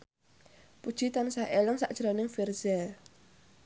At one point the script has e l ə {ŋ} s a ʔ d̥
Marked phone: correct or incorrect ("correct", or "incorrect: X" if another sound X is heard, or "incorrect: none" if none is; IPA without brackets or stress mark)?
correct